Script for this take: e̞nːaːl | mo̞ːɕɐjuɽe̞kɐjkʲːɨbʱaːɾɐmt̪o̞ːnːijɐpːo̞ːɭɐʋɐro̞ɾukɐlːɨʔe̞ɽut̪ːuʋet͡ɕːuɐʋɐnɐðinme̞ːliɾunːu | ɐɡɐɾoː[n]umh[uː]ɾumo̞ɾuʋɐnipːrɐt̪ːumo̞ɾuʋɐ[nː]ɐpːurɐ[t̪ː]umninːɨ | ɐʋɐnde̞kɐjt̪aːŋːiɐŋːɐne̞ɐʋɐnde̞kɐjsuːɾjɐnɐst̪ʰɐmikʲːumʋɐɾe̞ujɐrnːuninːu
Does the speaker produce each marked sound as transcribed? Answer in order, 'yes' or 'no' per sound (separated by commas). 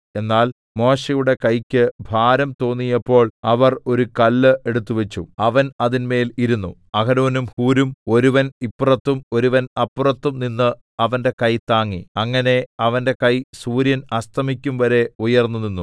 yes, yes, no, yes